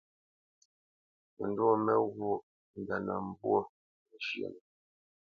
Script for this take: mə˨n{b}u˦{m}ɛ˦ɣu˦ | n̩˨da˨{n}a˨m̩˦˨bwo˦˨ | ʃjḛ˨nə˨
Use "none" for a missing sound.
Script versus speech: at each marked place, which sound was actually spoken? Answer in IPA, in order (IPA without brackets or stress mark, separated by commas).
d, m, n